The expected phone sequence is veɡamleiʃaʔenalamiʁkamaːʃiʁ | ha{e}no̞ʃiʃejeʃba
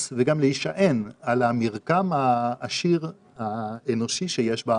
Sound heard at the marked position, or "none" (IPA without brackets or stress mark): e